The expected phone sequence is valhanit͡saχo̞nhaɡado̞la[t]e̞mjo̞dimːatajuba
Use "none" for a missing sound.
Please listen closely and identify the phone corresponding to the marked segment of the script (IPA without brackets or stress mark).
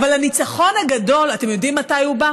t